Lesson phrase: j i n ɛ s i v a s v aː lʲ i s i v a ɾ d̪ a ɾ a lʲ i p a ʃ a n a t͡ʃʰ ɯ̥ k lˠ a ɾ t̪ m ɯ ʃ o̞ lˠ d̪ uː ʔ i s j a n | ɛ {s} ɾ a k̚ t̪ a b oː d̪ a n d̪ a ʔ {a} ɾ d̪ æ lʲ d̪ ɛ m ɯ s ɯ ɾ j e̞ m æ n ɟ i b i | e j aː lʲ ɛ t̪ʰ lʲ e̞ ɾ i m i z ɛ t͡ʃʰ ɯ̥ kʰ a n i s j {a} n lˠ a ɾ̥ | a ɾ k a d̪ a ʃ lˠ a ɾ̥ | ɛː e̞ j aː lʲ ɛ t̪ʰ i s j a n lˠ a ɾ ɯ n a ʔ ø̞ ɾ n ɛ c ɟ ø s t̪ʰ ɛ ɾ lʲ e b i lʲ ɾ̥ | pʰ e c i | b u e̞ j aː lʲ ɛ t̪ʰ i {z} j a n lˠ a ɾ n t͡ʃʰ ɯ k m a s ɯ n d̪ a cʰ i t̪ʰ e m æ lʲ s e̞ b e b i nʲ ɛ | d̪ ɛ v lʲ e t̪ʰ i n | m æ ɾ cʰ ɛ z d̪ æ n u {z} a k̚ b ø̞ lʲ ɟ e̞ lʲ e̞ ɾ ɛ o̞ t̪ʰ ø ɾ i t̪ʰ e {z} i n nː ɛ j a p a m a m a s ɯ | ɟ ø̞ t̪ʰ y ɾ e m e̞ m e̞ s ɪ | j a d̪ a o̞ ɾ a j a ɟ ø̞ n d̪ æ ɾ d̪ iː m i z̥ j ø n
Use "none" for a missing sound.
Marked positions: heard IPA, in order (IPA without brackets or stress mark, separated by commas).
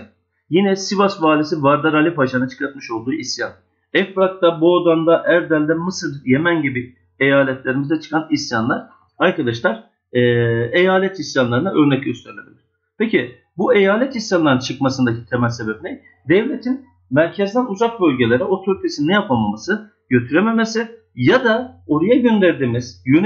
f, æ, a, s, z, s